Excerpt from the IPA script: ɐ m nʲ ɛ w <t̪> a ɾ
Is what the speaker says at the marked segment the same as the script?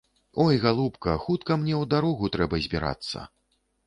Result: no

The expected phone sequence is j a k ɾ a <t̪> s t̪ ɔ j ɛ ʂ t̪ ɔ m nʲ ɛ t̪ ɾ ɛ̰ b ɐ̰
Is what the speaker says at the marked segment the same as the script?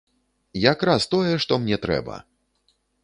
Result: no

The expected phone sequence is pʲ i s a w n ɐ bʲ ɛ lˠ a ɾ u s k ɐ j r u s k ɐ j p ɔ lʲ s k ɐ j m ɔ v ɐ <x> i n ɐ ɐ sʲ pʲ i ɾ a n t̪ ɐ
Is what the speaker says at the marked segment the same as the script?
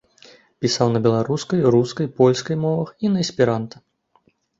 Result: yes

